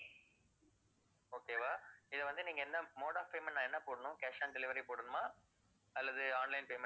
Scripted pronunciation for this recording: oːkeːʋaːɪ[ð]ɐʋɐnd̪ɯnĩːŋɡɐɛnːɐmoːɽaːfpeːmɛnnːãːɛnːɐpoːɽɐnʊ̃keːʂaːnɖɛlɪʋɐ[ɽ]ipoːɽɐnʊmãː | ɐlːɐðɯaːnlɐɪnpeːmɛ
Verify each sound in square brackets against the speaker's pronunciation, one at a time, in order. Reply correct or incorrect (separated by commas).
correct, incorrect